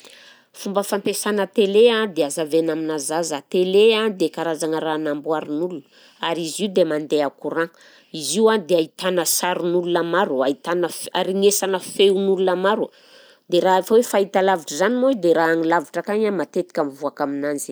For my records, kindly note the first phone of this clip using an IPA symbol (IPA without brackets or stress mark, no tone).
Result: f